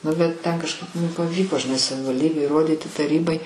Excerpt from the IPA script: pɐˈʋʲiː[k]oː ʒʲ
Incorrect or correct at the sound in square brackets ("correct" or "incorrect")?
correct